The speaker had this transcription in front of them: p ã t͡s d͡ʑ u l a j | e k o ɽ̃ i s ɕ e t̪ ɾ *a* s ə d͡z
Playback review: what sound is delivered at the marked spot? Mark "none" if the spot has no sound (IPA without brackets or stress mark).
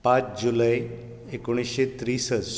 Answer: i